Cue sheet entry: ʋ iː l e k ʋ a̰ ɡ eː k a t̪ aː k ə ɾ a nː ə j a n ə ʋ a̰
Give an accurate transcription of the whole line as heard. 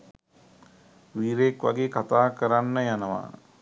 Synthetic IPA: ʋ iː ɾ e k ʋ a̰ ɡ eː k a t̪ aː k ə ɾ a nː ə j a n ə ʋ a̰